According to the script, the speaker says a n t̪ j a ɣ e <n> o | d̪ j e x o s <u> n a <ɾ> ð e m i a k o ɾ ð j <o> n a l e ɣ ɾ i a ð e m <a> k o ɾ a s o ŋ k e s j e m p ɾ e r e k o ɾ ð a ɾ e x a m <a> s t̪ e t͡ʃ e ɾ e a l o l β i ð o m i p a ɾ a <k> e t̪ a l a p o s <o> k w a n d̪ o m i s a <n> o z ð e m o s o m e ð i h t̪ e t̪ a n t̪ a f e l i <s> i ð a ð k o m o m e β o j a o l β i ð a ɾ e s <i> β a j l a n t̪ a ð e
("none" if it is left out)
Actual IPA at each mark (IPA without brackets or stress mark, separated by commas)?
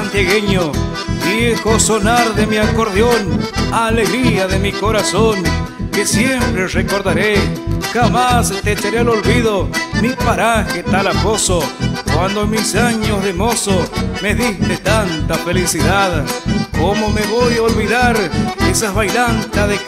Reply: ɲ, o, ɾ, o, i, a, x, o, ɲ, s, a